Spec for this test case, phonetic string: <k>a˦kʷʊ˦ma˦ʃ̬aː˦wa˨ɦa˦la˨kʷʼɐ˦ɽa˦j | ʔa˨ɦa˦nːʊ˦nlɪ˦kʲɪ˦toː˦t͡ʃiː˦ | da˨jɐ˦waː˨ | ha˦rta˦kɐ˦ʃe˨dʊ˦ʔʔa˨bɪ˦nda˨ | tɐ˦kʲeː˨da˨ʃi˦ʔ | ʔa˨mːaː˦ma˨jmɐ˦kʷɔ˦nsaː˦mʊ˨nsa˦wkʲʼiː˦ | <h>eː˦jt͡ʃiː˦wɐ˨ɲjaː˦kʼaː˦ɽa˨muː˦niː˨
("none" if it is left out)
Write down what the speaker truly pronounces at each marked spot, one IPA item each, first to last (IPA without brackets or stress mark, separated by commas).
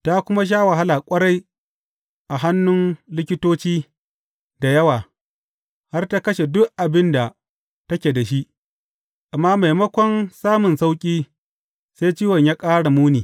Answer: t, s